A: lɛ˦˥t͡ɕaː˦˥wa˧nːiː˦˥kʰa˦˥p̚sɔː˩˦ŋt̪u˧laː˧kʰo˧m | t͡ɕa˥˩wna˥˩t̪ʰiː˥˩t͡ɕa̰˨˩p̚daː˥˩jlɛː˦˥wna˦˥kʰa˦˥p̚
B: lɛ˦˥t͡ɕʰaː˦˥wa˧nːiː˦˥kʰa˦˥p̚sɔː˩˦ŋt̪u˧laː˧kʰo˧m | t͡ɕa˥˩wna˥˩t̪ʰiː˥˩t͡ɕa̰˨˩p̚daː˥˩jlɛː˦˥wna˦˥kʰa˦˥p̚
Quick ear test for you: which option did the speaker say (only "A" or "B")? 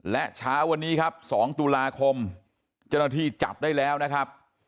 B